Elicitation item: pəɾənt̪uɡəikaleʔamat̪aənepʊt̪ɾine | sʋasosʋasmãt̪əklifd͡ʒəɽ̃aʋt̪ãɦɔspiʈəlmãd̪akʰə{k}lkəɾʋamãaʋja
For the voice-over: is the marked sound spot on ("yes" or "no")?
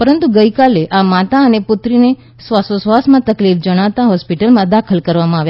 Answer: no